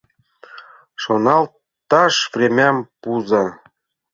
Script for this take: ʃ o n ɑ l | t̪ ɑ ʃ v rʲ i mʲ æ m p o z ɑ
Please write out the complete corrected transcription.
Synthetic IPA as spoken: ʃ o n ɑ l | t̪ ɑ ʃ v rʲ e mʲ æ m p u z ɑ